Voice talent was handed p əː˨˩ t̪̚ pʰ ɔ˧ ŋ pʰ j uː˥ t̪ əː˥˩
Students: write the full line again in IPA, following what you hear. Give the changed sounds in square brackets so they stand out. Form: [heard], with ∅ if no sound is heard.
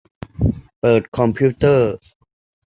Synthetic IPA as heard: p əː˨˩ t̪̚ [kʰ] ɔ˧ [m] pʰ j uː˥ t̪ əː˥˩